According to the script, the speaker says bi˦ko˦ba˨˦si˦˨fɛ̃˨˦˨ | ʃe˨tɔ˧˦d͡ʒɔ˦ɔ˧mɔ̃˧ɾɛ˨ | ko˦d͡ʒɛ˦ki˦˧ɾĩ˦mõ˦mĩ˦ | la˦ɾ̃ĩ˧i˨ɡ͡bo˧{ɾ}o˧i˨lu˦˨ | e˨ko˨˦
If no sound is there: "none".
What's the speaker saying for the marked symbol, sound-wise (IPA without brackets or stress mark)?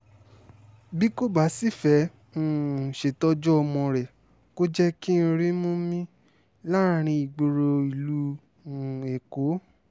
ɾ